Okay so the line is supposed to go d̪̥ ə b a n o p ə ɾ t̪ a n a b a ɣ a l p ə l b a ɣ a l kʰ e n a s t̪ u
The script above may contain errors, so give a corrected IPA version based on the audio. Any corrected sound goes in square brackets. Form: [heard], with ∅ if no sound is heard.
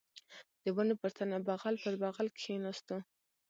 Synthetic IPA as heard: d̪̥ ə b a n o p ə ɾ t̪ a n a b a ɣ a l p ə [ɾ] b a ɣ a l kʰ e n a s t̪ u